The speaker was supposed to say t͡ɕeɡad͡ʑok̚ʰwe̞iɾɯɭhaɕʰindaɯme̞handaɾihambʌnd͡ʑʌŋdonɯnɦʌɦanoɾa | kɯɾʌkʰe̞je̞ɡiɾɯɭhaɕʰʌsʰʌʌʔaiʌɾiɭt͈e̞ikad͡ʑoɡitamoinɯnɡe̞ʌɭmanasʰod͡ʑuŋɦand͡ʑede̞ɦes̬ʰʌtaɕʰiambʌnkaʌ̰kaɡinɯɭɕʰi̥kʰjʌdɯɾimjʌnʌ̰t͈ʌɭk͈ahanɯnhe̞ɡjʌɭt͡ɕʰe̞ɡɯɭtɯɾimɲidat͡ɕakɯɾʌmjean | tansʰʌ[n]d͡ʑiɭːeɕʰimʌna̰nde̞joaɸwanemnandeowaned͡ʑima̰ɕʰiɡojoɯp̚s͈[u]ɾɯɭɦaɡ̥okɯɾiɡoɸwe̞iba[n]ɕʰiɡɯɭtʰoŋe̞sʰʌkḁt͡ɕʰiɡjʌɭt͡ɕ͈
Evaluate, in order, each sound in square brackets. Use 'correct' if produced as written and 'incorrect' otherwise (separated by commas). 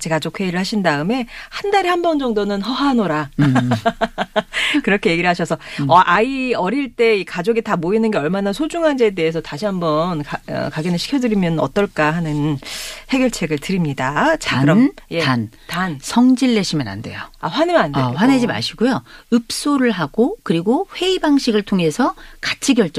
incorrect, incorrect, incorrect